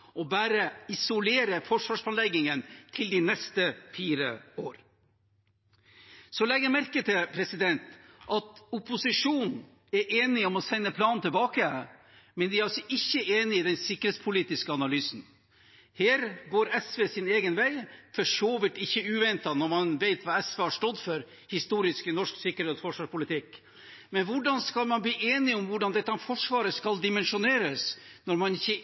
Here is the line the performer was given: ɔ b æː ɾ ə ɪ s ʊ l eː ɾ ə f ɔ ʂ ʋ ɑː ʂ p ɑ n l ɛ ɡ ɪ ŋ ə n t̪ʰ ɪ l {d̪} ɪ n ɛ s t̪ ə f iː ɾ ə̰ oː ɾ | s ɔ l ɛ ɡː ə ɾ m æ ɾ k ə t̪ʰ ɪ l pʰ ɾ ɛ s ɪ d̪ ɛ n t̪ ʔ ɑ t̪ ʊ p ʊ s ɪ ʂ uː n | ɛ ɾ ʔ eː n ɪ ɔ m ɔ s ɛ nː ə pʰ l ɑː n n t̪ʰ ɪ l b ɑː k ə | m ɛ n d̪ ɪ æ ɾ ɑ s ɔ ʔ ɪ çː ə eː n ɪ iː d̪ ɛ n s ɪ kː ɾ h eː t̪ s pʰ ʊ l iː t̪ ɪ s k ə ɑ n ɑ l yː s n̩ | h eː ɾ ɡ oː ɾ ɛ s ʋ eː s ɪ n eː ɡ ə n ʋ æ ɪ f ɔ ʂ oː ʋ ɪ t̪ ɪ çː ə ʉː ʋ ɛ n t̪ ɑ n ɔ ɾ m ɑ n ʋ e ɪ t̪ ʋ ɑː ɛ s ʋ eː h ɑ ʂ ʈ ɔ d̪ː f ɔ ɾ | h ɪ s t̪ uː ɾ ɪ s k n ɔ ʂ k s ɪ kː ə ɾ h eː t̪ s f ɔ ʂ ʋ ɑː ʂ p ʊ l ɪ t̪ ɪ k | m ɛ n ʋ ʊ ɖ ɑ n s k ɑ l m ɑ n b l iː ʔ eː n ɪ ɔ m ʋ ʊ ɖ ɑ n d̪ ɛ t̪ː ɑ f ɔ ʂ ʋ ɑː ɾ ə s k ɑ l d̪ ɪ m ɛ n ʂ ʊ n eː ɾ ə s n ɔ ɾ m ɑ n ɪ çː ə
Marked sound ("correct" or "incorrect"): correct